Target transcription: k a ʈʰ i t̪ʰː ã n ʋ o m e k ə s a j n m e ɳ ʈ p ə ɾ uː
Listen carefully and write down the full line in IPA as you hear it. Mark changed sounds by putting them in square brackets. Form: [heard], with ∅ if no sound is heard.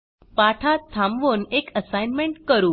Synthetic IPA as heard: [p] a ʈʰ [a] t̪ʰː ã [m] ʋ o [n] e k ə s a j n m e ɳ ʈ [k] ə ɾ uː